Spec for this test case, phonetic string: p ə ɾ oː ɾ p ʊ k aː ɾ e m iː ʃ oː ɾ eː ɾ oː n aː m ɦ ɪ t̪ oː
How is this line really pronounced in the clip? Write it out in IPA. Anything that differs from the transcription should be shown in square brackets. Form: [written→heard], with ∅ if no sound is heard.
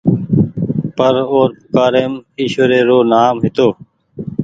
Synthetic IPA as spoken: p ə ɾ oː ɾ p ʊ k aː ɾ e m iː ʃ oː ɾ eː ɾ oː n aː m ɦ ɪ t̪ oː